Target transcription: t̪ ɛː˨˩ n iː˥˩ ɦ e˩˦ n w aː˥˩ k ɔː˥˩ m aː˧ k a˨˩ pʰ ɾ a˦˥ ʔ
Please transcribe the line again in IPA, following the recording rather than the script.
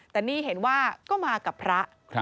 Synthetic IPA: t̪ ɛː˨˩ n iː˥˩ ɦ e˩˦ n w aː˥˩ k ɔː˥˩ m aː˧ k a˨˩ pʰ ɾ a˦˥ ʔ